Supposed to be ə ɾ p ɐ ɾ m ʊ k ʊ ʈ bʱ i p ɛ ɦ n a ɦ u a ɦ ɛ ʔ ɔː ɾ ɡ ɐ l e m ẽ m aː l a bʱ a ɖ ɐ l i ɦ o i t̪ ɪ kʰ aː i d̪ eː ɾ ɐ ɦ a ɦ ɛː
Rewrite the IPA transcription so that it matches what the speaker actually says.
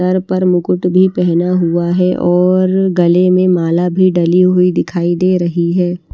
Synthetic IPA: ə ɾ p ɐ ɾ m ʊ k ʊ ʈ bʱ i p ɛ ɦ n a ɦ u a ɦ ɛ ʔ ɔː ɾ ɡ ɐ l e m ẽ m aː l a bʱ i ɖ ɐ l i ɦ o i d̪ ɪ kʰ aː i d̪ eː ɾ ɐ ɦ i ɦ ɛː